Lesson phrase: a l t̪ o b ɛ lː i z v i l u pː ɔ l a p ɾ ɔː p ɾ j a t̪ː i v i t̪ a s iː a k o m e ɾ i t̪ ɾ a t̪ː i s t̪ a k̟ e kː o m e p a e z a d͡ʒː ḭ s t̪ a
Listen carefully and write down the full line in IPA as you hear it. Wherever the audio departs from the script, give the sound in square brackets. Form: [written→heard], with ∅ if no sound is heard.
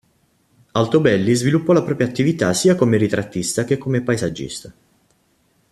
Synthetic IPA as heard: a l t̪ o b ɛ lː i z v i l u pː ɔ l a p ɾ ɔː p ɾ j a t̪ː i v i t̪ a s iː a k o m e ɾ i t̪ ɾ a t̪ː i s t̪ a k̟ e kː o m e p a e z a d͡ʒː ḭ s t̪ a